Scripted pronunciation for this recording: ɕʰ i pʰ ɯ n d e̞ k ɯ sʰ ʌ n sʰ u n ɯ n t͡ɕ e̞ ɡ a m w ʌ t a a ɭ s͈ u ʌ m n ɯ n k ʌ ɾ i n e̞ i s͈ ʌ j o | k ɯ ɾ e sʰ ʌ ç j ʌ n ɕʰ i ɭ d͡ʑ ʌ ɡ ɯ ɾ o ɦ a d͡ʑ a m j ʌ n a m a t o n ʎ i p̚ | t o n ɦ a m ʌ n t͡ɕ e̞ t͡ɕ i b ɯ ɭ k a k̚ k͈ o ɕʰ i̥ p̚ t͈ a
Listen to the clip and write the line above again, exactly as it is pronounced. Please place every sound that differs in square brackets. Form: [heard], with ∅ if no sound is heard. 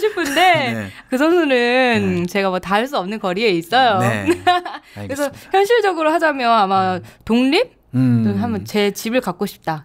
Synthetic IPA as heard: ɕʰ i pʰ ɯ n d e̞ k ɯ sʰ ʌ n sʰ u n ɯ n t͡ɕ e̞ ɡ a m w ʌ t a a ɭ s͈ u ʌ m n ɯ n k ʌ ɾ i [∅] e̞ i s͈ ʌ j o | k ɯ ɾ e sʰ ʌ ç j ʌ n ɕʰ i ɭ d͡ʑ ʌ ɡ ɯ ɾ o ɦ a d͡ʑ a m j ʌ n a m a t o [ŋ] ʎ i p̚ | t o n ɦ a m ʌ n t͡ɕ e̞ t͡ɕ i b ɯ ɭ k a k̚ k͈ o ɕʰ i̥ p̚ t͈ a